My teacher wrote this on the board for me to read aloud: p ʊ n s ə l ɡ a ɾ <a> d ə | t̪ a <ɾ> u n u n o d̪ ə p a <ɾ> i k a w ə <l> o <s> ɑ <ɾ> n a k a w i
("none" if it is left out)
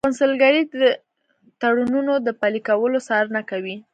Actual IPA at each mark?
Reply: i, ɽ, l, l, s, ɾ

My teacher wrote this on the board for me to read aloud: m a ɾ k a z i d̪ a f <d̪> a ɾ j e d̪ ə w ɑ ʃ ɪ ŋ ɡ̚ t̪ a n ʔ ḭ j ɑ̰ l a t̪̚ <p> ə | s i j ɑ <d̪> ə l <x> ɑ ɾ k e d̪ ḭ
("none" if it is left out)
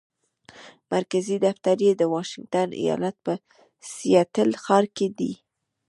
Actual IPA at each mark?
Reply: t̪, p, t̪, x

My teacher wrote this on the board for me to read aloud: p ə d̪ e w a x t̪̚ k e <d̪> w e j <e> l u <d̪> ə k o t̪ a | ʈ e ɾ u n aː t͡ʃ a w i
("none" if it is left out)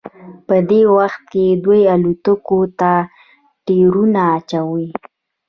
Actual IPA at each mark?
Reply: d̪, a, t̪

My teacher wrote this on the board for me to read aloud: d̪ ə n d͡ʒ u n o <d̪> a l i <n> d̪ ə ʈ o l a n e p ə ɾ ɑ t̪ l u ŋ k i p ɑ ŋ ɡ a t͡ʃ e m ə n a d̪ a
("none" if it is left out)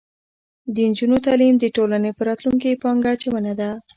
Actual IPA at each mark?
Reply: t̪, m

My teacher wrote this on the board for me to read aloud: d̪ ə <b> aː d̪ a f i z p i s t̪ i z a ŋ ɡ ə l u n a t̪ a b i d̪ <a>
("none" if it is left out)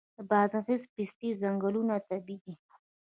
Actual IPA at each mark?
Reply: b, i

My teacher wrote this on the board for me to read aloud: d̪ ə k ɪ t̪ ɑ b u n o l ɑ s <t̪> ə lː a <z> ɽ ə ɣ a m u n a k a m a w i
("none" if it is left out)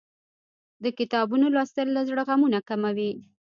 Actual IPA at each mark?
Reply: t̪, z

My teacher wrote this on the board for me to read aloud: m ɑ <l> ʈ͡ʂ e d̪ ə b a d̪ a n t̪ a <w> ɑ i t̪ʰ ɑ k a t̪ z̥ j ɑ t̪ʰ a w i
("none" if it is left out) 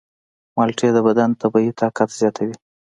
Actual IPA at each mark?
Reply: l, b

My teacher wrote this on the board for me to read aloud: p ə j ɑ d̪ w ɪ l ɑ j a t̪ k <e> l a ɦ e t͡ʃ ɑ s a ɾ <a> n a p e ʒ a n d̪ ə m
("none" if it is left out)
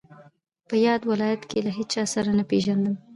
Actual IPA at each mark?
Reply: e, a

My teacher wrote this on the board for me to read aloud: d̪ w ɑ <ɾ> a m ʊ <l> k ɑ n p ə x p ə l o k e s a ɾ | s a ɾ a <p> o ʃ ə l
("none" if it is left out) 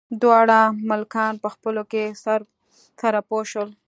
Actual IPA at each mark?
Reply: ɽ, l, p

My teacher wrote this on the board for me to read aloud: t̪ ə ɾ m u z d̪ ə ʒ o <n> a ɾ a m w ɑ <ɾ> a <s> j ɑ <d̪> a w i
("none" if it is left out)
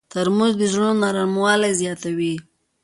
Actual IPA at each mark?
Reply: n, l, z, t̪

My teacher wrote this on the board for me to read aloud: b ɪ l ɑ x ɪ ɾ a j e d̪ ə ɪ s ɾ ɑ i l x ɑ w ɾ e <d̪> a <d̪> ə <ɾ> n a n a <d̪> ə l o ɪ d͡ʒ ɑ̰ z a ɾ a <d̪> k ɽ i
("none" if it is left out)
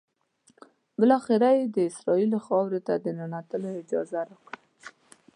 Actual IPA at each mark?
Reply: t̪, d̪, none, t̪, none

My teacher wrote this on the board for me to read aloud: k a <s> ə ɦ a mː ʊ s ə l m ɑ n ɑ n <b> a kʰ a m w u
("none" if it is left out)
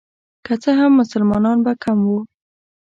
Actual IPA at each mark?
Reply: t͡s, b

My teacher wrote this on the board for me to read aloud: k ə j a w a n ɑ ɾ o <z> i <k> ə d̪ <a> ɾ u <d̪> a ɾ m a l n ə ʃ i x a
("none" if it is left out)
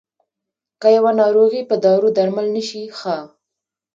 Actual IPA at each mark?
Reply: ɣ, p, ɑ, d̪

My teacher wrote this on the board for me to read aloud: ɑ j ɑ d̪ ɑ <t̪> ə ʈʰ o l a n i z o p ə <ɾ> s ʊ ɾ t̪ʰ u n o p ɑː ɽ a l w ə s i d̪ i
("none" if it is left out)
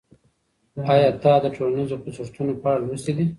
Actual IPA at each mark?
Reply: d̪, none

